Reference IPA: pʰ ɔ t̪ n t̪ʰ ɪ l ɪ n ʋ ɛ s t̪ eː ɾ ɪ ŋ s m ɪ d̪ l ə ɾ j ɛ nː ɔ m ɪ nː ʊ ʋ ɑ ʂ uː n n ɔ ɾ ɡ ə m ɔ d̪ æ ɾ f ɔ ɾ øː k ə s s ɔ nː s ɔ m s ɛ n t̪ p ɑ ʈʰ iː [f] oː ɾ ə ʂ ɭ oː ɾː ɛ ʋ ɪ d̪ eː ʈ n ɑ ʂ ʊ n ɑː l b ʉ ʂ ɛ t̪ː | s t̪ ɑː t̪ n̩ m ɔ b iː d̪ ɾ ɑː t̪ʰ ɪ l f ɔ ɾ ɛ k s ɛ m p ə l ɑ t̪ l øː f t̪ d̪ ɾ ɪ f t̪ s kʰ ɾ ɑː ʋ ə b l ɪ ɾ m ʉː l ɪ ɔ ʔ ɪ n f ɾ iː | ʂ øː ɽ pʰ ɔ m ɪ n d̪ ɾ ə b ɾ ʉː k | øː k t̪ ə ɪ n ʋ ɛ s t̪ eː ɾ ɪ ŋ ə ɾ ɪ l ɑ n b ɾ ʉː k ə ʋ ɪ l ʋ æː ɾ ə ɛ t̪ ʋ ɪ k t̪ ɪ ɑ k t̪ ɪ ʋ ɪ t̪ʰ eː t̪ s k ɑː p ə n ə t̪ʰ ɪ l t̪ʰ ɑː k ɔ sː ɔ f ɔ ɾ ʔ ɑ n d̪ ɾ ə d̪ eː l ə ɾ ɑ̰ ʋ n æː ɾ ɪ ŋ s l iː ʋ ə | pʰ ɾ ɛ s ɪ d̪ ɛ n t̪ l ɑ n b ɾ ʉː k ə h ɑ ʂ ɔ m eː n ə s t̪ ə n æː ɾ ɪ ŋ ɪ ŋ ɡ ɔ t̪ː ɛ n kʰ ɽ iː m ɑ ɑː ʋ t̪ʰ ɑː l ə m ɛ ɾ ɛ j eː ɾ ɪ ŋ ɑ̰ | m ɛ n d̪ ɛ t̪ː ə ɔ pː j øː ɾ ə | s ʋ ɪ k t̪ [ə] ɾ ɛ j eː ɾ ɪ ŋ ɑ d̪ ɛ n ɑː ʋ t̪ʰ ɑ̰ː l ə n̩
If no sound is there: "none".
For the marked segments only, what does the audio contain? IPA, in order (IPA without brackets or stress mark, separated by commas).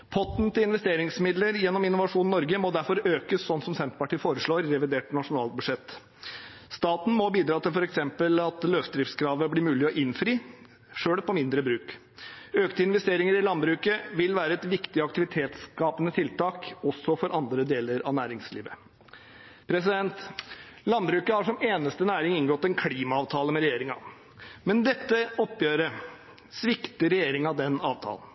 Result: f, ə